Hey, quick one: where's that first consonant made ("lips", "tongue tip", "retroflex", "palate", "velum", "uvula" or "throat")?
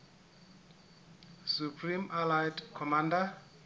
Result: tongue tip